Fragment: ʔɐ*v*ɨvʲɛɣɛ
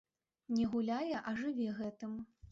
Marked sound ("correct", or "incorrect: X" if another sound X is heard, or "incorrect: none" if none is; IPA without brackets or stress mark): incorrect: ʐ